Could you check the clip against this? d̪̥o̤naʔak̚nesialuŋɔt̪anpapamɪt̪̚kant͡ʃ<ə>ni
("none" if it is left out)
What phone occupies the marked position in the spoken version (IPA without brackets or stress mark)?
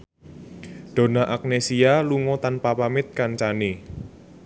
a